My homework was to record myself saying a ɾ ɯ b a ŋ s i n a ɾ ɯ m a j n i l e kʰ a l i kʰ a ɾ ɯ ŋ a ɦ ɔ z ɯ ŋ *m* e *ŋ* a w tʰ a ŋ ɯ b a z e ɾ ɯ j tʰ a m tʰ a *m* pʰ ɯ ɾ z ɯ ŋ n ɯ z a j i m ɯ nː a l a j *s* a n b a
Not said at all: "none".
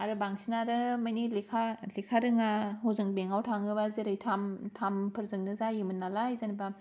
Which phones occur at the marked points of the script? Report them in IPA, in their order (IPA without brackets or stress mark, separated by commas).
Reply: b, ŋ, m, z